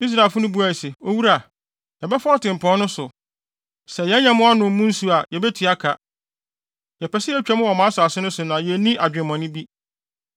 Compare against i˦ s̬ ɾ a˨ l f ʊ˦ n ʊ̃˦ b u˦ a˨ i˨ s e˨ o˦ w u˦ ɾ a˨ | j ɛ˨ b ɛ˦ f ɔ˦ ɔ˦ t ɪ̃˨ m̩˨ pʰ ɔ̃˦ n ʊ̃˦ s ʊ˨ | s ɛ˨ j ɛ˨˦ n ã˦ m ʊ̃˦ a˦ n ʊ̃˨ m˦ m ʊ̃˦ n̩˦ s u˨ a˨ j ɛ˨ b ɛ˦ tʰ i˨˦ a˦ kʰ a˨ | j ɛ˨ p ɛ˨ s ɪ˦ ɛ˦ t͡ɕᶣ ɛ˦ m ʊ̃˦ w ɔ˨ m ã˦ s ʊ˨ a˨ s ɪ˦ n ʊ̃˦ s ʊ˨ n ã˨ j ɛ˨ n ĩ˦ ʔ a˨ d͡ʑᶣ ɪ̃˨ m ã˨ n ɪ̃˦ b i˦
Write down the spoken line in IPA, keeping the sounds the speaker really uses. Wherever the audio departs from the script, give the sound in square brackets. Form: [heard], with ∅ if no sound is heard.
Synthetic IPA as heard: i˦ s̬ ɾ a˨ l f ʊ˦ n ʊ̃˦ b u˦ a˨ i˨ s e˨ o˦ w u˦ ɾ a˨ | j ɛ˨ b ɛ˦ f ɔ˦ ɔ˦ t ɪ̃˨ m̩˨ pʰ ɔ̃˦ n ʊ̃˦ s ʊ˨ | s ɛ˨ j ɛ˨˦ [ɲ] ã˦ m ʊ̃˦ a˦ n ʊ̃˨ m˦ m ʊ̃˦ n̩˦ s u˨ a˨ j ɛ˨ b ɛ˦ tʰ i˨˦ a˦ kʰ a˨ | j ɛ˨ p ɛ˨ s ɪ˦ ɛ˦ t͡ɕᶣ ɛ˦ m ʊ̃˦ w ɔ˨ m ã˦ s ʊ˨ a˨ s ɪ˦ n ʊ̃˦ s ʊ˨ n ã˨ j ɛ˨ n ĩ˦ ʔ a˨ d͡ʑᶣ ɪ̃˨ m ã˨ n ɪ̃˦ b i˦